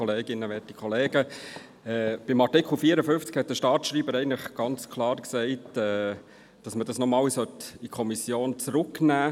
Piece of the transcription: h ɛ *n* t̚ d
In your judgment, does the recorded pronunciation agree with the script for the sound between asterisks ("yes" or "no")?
no